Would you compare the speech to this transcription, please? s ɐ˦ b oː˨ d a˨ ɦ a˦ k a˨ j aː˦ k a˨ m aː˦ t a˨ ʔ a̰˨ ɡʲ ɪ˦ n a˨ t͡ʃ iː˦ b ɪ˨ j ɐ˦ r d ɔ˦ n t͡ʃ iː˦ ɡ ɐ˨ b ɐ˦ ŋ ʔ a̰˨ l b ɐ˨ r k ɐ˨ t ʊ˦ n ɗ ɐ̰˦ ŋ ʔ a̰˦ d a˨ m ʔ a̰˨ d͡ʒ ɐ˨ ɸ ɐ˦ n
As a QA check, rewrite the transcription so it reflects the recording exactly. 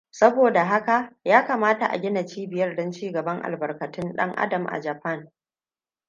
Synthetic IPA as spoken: s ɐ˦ b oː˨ d a˨ ɦ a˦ k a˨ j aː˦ k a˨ m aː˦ t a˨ ʔ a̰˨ ɡʲ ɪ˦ n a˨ t͡ʃ iː˦ b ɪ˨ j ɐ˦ r d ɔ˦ n t͡ʃ iː˦ ɡ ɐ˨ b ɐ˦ ŋ ʔ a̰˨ l b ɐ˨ r k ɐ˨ t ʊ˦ n ɗ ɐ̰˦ ŋ ʔ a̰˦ d ɐ˨ m ʔ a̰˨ d͡ʒ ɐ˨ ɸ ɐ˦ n